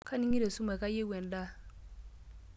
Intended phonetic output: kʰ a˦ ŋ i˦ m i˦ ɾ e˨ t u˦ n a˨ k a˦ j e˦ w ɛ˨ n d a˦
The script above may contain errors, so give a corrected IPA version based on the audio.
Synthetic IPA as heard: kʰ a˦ n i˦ ŋ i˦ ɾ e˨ s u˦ m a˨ k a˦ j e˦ w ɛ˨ n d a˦